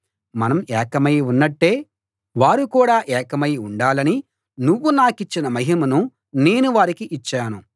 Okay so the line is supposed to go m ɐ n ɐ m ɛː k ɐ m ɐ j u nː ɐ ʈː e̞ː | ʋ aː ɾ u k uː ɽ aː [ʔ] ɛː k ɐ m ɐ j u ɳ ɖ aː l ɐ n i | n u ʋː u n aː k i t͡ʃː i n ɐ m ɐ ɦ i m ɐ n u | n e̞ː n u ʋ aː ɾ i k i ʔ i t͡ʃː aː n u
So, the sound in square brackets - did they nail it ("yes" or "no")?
yes